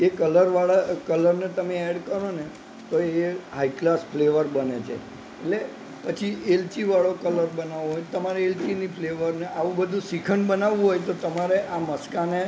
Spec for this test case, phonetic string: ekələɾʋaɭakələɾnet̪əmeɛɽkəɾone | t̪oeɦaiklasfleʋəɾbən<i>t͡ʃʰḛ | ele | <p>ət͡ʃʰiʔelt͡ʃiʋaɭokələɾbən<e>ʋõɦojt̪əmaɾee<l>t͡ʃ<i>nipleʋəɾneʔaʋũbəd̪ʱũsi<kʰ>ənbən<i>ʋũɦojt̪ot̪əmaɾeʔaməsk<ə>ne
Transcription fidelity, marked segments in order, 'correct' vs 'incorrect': incorrect, correct, incorrect, correct, correct, correct, incorrect, incorrect

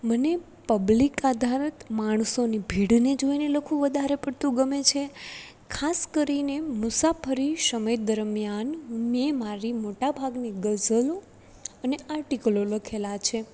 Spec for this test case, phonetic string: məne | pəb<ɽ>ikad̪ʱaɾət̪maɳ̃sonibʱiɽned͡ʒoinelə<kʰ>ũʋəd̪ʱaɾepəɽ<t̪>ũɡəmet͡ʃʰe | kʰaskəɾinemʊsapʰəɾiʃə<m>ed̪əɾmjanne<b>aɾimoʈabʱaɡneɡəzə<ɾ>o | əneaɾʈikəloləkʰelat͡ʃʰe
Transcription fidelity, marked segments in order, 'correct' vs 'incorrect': incorrect, correct, correct, correct, incorrect, incorrect

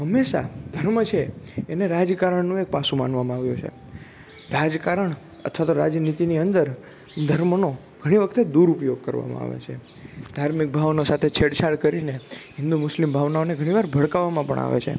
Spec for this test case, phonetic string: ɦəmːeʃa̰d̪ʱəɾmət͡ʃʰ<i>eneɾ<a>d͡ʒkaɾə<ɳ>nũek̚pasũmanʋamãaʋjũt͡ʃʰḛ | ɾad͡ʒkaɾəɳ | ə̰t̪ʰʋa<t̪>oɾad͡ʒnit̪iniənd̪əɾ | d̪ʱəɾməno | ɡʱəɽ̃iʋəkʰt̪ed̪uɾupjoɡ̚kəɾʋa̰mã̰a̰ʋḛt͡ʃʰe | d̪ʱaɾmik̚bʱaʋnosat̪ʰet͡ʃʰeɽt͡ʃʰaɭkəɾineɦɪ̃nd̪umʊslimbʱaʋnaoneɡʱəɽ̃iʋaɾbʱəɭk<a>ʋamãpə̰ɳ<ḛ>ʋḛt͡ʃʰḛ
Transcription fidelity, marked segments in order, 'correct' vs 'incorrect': incorrect, correct, correct, correct, correct, incorrect

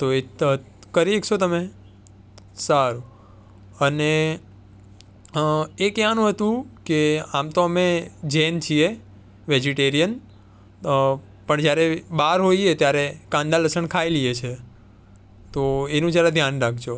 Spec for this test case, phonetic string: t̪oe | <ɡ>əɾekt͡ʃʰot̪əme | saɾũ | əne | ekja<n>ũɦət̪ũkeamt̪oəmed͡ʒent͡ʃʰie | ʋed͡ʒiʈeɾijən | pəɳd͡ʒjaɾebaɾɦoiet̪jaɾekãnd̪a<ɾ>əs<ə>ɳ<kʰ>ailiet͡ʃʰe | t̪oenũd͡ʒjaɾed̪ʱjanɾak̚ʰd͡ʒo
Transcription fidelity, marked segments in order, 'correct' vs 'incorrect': incorrect, correct, incorrect, correct, correct

